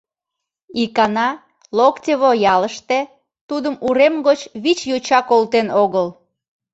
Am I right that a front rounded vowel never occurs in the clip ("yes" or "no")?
yes